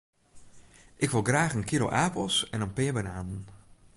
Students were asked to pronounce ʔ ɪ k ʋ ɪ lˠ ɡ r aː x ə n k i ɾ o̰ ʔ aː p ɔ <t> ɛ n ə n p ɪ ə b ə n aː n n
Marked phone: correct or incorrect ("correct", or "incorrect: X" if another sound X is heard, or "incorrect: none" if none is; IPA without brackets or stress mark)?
incorrect: s